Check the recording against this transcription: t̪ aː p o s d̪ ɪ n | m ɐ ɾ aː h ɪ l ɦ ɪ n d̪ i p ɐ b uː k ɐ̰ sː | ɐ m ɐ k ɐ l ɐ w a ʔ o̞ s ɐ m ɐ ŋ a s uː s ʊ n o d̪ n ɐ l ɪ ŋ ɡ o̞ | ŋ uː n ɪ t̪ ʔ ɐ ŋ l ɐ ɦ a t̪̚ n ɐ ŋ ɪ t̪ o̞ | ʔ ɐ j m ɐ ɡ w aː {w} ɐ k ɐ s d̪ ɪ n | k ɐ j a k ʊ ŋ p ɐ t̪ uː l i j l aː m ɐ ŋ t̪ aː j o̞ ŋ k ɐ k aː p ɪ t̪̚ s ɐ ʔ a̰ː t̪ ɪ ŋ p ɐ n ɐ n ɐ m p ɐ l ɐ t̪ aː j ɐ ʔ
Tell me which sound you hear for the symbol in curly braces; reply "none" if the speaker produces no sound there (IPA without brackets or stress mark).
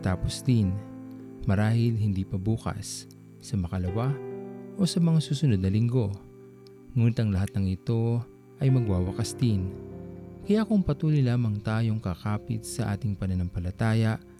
w